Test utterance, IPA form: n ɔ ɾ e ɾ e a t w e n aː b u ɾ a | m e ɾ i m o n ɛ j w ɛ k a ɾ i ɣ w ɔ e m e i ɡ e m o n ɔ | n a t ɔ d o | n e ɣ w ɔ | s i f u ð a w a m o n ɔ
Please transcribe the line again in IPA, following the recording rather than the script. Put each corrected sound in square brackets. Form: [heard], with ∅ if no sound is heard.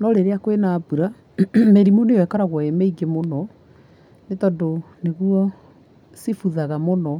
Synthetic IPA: n ɔ ɾ e ɾ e a [k] w e n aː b u ɾ a | m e ɾ i m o n [e] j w ɛ k a ɾ [a] ɣ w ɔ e m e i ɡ e m o n ɔ | n [e] t ɔ d o | n e ɣ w ɔ | s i f u ð a [ɣ] a m o n ɔ